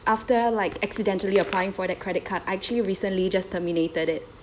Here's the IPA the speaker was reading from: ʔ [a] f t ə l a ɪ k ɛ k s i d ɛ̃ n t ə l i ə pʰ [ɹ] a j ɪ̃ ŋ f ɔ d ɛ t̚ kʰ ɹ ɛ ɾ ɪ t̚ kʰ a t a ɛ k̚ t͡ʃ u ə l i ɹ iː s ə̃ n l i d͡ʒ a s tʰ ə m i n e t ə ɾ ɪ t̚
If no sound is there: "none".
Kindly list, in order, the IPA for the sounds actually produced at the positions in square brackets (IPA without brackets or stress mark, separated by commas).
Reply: a, l